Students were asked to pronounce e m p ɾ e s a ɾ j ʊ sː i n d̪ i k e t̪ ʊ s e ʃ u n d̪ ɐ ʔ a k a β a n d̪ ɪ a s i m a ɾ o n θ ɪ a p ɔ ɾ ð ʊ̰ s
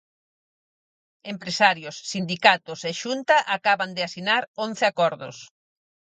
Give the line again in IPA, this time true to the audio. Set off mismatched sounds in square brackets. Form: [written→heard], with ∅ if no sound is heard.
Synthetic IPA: e m p ɾ e s a ɾ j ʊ sː i n d̪ i k [e→a] t̪ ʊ s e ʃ u n [d̪→t̪] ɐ ʔ a k a β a n d̪ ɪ a s i [m→n] a ɾ o n θ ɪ a [p→k] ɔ ɾ ð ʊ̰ s